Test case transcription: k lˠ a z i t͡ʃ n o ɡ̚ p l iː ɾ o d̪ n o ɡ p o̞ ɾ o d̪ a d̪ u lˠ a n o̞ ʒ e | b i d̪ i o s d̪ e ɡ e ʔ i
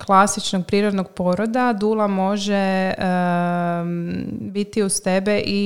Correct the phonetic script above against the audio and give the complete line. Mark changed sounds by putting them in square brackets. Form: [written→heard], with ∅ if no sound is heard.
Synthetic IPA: k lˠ a [z→s] i t͡ʃ n o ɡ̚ p [l→ɾ] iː ɾ o d̪ n o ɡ p o̞ ɾ o d̪ a d̪ u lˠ a [n→m] o̞ ʒ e | b i [d̪→t̪] i [o→u] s [d̪→t̪] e [ɡ→b] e ʔ i